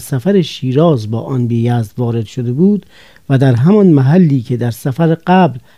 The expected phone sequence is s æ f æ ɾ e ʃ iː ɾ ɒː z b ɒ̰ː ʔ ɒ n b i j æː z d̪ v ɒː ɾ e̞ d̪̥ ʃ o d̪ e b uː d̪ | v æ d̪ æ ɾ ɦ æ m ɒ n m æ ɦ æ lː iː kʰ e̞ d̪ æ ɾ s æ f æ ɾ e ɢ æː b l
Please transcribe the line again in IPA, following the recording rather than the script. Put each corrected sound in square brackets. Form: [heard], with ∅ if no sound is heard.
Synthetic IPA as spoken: s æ f æ ɾ e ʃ iː ɾ ɒː z b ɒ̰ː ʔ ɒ n b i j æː z d̪ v ɒː ɾ e̞ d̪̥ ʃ o d̪ e b uː d̪ | v æ d̪ æ ɾ ɦ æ m ɒ n m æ ɦ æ lː iː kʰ e̞ d̪ æ ɾ s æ f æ ɾ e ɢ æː b l